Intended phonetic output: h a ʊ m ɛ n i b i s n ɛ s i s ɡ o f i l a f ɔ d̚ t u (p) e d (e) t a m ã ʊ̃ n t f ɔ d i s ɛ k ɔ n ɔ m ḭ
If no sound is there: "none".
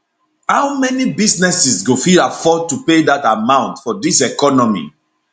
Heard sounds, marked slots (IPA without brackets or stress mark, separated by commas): p, a